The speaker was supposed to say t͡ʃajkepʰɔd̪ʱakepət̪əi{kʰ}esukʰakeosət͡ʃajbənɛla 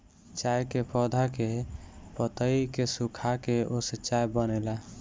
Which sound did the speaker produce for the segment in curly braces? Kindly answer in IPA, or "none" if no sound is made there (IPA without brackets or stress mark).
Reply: k